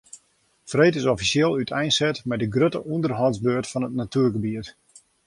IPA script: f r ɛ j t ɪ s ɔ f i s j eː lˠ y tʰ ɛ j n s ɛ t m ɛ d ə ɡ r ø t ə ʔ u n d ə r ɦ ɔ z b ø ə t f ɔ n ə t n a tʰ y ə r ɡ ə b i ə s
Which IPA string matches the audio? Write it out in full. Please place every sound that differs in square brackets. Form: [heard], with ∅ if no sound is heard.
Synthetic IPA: f r [e] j t ɪ s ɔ f i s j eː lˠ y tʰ ɛ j n s ɛ t m ɛ d ə ɡ r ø t ə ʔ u n d ə r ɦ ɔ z b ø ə t f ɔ n ə t n a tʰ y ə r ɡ ə b i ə [t]